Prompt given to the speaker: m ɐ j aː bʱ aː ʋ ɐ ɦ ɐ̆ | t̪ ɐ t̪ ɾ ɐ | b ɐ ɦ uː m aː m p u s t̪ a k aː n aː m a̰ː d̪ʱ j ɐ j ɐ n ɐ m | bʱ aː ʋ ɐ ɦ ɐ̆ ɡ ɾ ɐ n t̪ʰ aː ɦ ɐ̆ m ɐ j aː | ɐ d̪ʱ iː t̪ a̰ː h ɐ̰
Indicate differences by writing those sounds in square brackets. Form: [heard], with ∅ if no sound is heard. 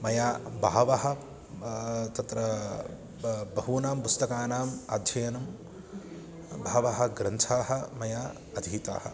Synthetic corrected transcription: m ɐ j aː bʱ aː ʋ ɐ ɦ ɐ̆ | t̪ ɐ t̪ ɾ ɐ | b ɐ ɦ uː [n] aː m p u s t̪ [ɐ] k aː n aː m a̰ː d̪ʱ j ɐ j ɐ n ɐ m | bʱ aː ʋ ɐ ɦ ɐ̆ ɡ ɾ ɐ n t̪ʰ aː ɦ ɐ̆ m ɐ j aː | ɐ d̪ʱ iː t̪ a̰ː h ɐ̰